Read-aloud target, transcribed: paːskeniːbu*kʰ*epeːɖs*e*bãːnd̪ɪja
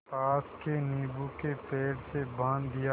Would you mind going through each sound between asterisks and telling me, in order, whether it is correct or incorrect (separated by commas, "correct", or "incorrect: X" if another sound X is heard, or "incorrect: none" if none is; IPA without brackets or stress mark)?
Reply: incorrect: k, correct